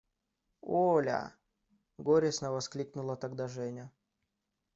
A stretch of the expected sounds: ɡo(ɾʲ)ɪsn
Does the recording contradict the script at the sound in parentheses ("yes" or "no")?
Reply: no